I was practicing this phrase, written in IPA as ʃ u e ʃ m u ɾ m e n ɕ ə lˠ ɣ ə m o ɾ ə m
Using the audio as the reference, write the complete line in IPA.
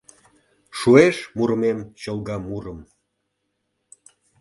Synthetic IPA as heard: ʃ u e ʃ m u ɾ m e m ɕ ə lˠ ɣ ɑ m u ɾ ə m